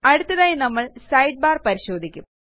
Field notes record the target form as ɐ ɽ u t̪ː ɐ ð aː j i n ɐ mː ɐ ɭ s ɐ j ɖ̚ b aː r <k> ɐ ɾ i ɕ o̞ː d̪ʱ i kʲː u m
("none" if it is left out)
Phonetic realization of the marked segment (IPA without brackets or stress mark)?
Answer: p